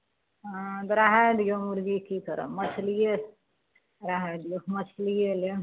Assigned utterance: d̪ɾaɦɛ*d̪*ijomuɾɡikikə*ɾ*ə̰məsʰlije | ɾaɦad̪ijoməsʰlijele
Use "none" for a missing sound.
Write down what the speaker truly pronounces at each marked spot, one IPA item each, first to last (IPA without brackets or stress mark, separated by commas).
d̪, ɾ